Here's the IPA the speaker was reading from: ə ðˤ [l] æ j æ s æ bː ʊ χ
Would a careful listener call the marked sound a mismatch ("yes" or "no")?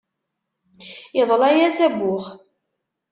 no